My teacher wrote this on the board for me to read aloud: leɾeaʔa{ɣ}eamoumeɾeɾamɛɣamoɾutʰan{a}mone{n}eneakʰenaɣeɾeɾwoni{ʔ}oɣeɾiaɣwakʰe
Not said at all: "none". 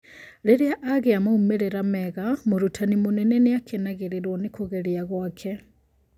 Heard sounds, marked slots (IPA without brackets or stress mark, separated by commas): ɣ, i, n, k